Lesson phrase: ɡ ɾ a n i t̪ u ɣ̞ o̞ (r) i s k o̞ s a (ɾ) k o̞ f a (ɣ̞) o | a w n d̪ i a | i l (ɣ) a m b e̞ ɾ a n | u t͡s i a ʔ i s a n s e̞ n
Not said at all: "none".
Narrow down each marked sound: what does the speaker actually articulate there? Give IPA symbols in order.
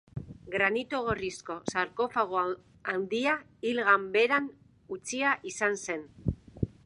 r, ɾ, ɣ̞, ɣ

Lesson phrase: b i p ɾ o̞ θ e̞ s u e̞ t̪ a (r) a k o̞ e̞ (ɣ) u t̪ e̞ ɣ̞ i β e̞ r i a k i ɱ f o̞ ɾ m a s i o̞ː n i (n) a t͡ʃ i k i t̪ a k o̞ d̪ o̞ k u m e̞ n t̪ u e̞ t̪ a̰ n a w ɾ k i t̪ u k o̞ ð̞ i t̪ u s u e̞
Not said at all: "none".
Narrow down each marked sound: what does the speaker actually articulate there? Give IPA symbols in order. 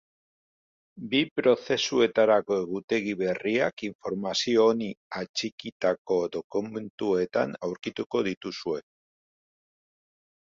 ɾ, ɣ, none

